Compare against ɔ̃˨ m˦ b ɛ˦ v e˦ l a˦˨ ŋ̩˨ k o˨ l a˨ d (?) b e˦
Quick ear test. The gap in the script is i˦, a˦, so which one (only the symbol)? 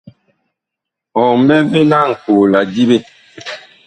i˦